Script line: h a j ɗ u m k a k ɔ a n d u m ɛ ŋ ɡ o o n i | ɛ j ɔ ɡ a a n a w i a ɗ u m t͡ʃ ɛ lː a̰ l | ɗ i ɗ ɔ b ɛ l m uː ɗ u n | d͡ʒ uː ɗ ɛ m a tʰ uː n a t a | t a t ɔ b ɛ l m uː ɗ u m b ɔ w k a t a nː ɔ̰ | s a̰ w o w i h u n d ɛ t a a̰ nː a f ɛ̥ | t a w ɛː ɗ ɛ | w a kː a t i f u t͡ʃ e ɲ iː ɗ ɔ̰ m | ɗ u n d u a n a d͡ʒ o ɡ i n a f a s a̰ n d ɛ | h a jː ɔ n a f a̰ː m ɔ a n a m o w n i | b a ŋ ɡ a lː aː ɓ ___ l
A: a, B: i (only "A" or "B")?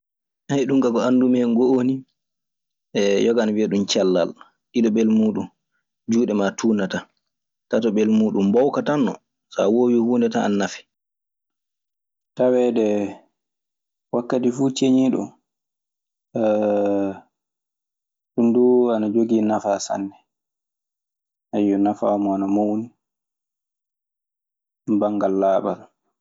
A